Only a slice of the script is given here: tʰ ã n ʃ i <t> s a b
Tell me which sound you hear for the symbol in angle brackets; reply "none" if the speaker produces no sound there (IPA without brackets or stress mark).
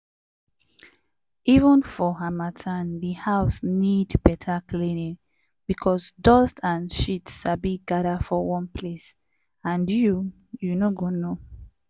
t